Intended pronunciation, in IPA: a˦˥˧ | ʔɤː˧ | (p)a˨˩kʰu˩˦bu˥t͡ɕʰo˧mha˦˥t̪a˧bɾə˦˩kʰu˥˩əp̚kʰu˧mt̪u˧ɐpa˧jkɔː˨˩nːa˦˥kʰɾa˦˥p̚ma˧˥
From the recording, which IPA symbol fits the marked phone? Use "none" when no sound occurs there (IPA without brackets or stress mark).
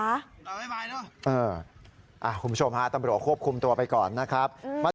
ʔ